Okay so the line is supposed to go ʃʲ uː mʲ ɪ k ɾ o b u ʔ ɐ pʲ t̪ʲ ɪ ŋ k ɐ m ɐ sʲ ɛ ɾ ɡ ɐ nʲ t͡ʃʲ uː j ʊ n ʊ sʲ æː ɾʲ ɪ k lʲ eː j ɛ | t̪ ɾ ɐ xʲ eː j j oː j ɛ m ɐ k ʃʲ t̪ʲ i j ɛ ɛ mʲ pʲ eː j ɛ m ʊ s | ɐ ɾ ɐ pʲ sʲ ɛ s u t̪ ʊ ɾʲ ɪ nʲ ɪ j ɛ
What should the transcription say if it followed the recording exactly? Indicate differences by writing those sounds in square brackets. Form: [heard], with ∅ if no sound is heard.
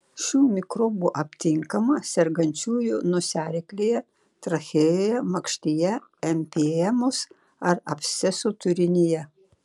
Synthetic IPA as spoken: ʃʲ uː mʲ ɪ k ɾ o b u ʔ ɐ pʲ t̪ʲ ɪ ŋ k ɐ m ɐ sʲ ɛ ɾ ɡ ɐ nʲ t͡ʃʲ uː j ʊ n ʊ sʲ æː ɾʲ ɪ k lʲ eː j ɛ | t̪ ɾ ɐ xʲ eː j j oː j ɛ m ɐ k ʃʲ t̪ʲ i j ɛ ɛ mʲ pʲ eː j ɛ m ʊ s | ɐ ɾ ɐ pʲ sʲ ɛ s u t̪ ʊ ɾʲ ɪ nʲ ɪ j ɛ